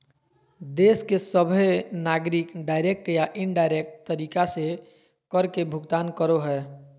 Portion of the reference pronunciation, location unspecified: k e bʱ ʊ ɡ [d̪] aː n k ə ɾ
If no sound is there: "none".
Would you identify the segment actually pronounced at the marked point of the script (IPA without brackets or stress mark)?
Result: t̪